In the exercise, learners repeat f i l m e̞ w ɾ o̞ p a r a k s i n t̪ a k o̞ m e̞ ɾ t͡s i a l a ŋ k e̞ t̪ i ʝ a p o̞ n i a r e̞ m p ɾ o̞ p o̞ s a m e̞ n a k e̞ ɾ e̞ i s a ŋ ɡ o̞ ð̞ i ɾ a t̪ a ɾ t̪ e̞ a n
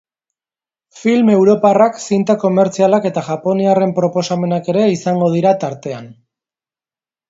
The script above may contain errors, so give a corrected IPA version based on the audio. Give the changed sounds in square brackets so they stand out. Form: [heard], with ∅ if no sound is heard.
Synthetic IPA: f i l m e̞ w ɾ o̞ p a r a k s i n t̪ a k o̞ m e̞ ɾ t͡s i a l a [∅] k e̞ t̪ [a] ʝ a p o̞ n i a r e̞ m p ɾ o̞ p o̞ s a m e̞ n a k e̞ ɾ e̞ i s a ŋ ɡ o̞ ð̞ i ɾ a t̪ a ɾ t̪ e̞ a n